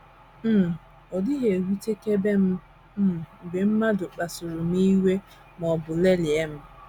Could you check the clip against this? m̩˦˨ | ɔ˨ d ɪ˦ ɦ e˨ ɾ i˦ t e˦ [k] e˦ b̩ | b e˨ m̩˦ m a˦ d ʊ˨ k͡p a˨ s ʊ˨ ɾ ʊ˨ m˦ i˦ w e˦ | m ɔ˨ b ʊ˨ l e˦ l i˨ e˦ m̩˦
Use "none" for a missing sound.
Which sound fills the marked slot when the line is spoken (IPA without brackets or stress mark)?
k